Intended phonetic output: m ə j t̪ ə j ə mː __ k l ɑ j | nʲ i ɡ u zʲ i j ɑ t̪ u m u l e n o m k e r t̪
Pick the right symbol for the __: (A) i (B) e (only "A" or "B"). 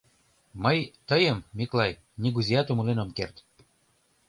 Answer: A